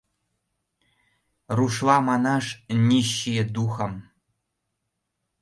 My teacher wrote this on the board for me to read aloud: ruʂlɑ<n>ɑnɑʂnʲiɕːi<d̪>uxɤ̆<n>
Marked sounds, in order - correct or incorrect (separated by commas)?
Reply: incorrect, correct, incorrect